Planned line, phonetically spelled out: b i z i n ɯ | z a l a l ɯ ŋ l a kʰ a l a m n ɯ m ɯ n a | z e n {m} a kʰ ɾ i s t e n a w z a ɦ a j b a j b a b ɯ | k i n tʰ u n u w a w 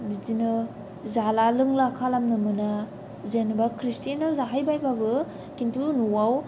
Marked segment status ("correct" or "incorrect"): incorrect